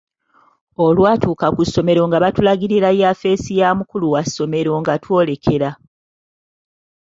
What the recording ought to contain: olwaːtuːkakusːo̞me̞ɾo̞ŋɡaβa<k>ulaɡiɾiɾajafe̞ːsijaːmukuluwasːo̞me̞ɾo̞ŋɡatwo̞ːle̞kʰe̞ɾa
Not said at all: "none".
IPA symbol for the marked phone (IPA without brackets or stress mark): t